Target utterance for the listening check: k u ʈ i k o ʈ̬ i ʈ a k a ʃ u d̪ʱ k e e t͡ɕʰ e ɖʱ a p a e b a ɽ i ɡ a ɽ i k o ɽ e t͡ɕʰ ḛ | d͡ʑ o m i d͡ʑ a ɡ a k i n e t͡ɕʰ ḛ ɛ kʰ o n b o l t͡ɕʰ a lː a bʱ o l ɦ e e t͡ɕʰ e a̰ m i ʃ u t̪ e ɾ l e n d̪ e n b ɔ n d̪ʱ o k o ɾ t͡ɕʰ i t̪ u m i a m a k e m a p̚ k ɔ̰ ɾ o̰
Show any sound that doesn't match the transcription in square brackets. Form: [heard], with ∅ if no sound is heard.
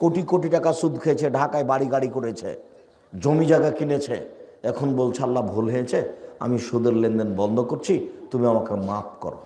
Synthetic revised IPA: k [o] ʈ i k o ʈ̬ i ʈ a k a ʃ u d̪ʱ [kʰ] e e t͡ɕʰ e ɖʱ a [k] a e b a ɽ i ɡ a ɽ i k o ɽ e t͡ɕʰ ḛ | d͡ʑ o m i d͡ʑ a ɡ a k i n e t͡ɕʰ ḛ ɛ kʰ o n b o l t͡ɕʰ a lː a bʱ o l ɦ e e t͡ɕʰ e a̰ m i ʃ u [d̪] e ɾ l e n d̪ e n b ɔ n d̪ʱ o k o ɾ t͡ɕʰ i t̪ u m i a m a k e m a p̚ k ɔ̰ ɾ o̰